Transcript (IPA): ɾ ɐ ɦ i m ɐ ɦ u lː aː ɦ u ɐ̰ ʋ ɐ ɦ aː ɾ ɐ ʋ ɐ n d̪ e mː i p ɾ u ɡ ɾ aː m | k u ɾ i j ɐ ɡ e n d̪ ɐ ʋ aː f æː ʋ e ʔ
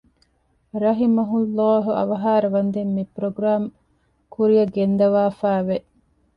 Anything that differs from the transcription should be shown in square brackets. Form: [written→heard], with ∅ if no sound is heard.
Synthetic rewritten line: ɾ ɐ ɦ i m ɐ ɦ u lː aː ɦ u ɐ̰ ʋ ɐ ɦ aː ɾ ɐ ʋ ɐ n d̪ e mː i p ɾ [u→o] ɡ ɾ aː m | k u ɾ i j ɐ ɡ e n d̪ ɐ ʋ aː f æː ʋ e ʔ